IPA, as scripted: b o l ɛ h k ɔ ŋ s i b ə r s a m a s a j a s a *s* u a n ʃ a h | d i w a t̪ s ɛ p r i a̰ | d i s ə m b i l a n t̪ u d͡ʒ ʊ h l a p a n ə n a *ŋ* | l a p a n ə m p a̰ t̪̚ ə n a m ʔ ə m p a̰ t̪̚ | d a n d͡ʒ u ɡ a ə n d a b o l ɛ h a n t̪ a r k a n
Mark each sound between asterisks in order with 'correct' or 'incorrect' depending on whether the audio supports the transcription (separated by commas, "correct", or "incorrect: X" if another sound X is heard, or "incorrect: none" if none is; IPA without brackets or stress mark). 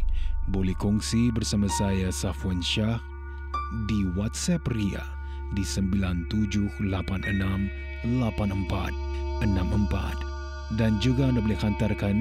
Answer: incorrect: f, incorrect: m